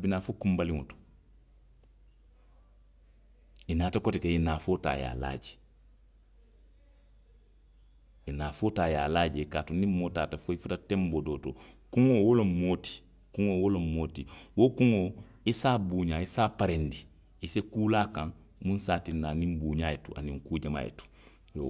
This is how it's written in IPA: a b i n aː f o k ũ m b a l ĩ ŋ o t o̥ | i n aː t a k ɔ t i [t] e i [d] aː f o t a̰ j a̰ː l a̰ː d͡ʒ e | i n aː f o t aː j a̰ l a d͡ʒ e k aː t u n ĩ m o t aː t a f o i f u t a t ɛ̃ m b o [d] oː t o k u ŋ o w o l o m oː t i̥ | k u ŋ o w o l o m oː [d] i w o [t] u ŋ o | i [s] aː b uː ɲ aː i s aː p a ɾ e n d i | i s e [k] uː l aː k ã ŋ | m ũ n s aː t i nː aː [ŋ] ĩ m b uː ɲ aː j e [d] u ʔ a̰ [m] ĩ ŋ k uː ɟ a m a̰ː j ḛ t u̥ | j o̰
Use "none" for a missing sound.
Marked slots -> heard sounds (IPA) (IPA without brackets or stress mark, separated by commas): k, n, d, t, k, s, k, n, t, n